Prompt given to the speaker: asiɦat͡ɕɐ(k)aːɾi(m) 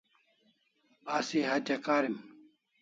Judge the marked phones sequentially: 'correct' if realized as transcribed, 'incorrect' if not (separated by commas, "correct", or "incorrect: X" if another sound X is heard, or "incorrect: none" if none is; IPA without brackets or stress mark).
correct, correct